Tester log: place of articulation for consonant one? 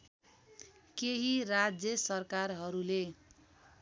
velar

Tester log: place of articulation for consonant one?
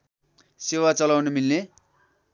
alveolar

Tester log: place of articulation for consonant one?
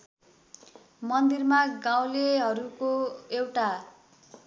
labial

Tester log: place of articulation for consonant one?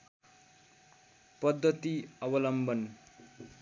labial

